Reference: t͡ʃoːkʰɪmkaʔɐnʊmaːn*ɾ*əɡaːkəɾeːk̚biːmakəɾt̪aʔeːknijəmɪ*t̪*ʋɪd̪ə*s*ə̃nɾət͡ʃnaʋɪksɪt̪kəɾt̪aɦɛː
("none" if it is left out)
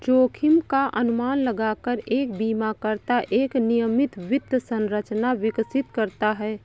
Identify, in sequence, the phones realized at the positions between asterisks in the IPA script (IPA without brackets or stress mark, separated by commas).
l, t̪, s